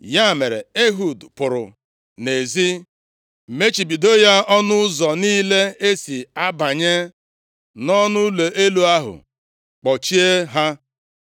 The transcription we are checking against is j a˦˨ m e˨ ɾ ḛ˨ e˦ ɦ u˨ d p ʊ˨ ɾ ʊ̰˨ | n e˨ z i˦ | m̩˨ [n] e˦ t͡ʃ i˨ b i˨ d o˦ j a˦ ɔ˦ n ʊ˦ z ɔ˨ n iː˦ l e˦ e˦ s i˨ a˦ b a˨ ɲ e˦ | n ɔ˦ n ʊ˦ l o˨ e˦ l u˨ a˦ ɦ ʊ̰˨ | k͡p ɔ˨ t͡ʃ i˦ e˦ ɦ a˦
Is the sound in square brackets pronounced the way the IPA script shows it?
no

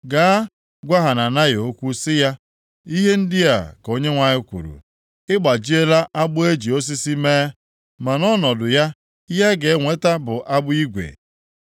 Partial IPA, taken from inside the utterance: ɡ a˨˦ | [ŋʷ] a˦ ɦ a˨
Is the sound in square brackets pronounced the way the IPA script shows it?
no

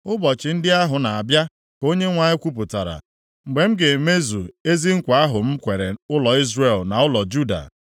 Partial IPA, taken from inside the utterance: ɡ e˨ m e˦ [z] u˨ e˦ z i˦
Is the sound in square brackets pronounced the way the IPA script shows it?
yes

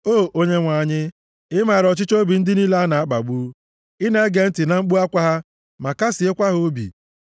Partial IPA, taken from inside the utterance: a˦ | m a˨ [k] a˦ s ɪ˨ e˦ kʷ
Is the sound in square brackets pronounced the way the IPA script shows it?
yes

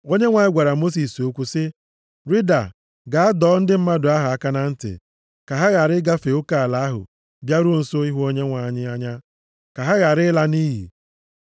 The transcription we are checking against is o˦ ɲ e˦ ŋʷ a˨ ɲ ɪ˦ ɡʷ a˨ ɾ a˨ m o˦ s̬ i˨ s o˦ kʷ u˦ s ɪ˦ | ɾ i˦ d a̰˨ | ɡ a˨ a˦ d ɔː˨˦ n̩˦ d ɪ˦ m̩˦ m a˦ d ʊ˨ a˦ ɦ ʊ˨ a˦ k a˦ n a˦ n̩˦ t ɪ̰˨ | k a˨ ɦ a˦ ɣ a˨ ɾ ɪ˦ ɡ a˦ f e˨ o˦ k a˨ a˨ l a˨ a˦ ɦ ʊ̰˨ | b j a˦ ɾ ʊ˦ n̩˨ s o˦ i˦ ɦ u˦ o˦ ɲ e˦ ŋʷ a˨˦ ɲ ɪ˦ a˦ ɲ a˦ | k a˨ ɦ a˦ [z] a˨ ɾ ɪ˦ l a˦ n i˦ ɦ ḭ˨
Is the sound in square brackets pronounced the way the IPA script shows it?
no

